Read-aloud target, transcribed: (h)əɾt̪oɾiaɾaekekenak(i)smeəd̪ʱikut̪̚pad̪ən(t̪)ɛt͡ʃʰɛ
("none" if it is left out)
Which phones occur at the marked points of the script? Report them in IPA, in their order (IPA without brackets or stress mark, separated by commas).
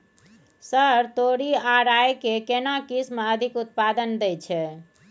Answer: s, i, d̪